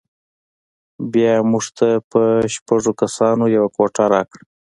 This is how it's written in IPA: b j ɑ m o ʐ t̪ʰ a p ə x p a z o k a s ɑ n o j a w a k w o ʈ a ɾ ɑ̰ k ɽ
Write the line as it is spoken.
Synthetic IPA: b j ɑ m u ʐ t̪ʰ a p ə ʃ p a ʐ o k a s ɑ n o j a w a k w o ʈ a ɾ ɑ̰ k ɽ